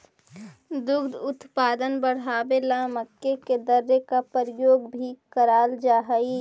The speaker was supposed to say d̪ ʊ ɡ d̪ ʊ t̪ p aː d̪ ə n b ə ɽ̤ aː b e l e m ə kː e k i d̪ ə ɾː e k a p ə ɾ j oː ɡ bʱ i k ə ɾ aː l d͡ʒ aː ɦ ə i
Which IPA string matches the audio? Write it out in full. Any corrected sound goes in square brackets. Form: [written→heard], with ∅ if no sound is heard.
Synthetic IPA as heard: d̪ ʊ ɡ d̪ ʊ t̪ p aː d̪ ə n b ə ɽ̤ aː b e l [e→a] m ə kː e k [i→e] d̪ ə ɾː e k a p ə ɾ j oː ɡ bʱ i k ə ɾ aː l d͡ʒ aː ɦ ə i